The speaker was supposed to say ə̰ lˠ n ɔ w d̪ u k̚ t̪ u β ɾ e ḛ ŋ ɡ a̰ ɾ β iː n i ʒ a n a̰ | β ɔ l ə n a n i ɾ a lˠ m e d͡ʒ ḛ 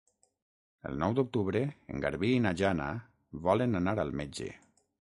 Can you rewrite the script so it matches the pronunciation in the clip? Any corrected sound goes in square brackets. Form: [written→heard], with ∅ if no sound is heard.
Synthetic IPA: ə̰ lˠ n ɔ w d̪ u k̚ t̪ u β ɾ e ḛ ŋ ɡ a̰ ɾ β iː n [i→a] ʒ a n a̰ | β ɔ l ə n a n [i→a] ɾ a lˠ m e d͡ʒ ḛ

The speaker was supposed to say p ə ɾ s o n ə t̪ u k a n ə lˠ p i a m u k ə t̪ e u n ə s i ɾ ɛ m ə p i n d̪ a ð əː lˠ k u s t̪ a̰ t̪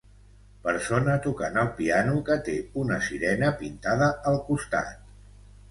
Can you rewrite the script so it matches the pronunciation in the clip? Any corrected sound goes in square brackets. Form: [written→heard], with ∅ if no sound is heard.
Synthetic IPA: p ə ɾ s o n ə t̪ u k a n ə lˠ p i a [m→n] u k ə t̪ e u n ə s i ɾ ɛ [m→n] ə p i n [d̪→t̪] a ð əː lˠ k u s t̪ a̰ t̪

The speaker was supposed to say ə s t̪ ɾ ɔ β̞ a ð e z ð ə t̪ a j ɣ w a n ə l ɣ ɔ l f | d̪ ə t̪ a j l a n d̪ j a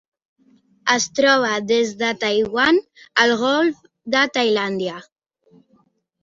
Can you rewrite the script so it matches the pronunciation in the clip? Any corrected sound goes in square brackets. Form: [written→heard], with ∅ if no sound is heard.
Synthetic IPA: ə s t̪ ɾ ɔ β̞ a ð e z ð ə t̪ a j ɣ w a n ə l ɣ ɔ l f | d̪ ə t̪ a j l a n d̪ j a

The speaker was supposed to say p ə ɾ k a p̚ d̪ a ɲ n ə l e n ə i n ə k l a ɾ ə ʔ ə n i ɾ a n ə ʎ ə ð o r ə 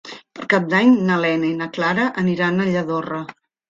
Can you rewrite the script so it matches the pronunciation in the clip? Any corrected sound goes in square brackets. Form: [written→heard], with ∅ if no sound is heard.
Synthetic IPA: p ə ɾ k a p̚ d̪ a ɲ n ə l [e→ɛ] n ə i n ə k l a ɾ ə ʔ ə n i ɾ a n ə ʎ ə ð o r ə

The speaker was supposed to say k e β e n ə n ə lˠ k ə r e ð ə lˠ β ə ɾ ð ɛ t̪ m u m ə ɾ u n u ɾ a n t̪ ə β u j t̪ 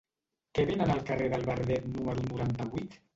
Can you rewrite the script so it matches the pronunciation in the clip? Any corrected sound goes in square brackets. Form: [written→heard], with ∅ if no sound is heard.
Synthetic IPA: k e β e n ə n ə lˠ k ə r e ð ə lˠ β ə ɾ ð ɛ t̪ [m→n] u m ə ɾ u n u ɾ a n t̪ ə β u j t̪

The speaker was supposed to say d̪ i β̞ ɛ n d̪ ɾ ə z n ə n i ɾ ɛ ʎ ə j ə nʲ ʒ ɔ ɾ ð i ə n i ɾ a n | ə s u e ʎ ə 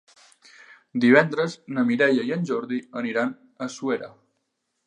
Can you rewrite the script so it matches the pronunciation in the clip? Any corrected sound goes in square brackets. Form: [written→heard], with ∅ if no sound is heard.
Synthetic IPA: d̪ i β̞ ɛ n d̪ ɾ ə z n ə [n→m] i ɾ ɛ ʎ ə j ə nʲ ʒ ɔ ɾ ð i ə n i ɾ a n | ə s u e [ʎ→ɾ] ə

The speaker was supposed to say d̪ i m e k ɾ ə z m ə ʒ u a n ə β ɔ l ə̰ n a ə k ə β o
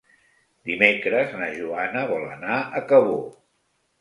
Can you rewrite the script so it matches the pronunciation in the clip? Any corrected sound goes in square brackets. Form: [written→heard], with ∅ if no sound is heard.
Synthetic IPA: d̪ i m e k ɾ ə z [m→n] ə ʒ u a n ə β ɔ l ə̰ n a ə k ə β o

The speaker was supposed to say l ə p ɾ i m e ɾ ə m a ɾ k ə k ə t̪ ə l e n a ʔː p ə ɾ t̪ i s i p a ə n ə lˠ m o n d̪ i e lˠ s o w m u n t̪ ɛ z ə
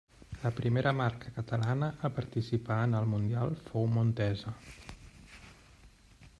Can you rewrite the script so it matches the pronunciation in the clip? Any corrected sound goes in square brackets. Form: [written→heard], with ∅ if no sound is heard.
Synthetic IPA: l ə p ɾ i m e ɾ ə m a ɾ k ə k ə t̪ ə l [e→a] n [a→ə] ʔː p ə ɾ t̪ i s i p a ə n ə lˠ m [o→u] n d̪ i [e→a] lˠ [s→f] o w m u n t̪ ɛ z ə

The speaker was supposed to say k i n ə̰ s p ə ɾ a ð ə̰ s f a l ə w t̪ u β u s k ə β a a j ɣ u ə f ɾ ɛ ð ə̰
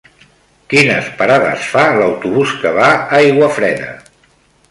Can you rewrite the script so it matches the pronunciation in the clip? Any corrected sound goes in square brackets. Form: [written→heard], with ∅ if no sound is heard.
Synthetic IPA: k i n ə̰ s p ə ɾ a ð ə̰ s f a l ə w t̪ u β u s k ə β a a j ɣ [u→w] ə f ɾ ɛ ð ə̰

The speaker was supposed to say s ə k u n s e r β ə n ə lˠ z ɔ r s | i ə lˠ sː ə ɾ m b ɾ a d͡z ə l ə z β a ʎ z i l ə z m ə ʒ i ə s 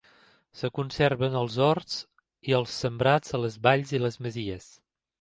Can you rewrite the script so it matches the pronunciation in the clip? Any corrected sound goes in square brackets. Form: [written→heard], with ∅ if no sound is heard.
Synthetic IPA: s ə k u n s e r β ə n ə lˠ z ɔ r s | i ə lˠ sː ə [ɾ→∅] m b ɾ a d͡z ə l ə z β a ʎ z i l ə z m ə [ʒ→z] i ə s

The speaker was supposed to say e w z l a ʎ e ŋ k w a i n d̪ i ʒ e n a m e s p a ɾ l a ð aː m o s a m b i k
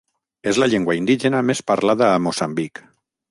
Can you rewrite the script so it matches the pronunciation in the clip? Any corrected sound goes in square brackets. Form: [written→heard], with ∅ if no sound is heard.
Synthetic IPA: e [w→∅] z l a ʎ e ŋ [k→ɡ] w a i n d̪ i ʒ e n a m e s p a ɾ l a ð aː m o s a m b i k

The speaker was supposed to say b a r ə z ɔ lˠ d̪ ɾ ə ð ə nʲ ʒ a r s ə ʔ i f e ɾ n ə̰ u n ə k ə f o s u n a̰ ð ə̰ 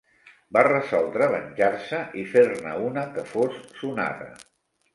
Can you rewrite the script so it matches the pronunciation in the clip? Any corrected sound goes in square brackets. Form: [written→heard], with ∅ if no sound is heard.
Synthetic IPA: b a r ə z ɔ lˠ d̪ ɾ ə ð ə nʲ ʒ a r s ə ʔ i f e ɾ n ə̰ u n ə k ə f o [s→sː] u n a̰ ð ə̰

